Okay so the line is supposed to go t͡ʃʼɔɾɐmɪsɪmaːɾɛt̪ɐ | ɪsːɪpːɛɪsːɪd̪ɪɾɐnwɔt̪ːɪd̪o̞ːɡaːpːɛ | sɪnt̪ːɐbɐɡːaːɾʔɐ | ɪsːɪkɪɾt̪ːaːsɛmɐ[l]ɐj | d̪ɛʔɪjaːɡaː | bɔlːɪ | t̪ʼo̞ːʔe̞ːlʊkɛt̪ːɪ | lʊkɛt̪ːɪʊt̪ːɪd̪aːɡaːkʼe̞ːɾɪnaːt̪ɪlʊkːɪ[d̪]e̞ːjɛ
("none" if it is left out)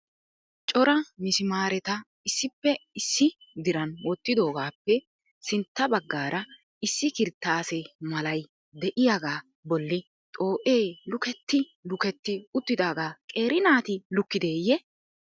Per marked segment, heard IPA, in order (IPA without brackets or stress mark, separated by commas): l, d̪